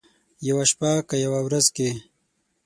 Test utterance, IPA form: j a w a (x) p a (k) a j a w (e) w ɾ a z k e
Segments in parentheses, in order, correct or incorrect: incorrect: ʃ, correct, incorrect: a

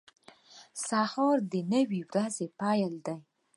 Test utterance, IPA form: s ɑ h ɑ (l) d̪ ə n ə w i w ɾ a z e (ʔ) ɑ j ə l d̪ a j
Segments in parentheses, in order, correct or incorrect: incorrect: ɾ, incorrect: p

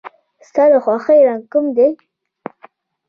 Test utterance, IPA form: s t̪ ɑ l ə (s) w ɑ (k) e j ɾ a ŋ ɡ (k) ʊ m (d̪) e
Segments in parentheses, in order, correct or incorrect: incorrect: x, incorrect: x, correct, correct

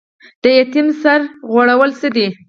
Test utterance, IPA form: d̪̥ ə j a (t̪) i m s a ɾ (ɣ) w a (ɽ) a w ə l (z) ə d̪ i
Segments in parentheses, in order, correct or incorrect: correct, correct, correct, incorrect: s

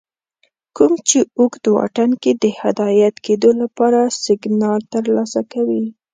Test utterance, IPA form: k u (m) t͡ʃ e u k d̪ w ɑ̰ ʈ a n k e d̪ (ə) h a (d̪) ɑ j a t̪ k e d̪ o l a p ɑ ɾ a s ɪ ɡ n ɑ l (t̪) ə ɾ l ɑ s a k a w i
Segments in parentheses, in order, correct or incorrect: correct, correct, correct, correct

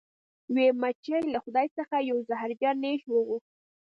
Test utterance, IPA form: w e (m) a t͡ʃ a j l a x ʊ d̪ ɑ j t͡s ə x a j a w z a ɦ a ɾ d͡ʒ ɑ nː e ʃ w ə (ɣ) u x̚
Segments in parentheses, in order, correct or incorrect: correct, correct

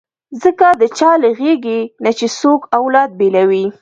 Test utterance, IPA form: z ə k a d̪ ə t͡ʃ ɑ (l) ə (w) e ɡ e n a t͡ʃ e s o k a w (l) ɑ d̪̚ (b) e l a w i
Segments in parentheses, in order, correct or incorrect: correct, incorrect: ɣ, correct, correct

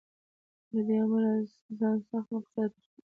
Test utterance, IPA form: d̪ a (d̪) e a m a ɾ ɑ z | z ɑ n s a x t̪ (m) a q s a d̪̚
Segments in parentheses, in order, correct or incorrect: correct, correct

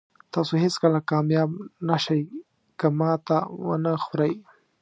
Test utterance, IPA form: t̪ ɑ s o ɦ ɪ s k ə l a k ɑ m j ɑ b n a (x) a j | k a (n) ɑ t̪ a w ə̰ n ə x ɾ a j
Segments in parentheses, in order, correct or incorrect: incorrect: ʃ, incorrect: m

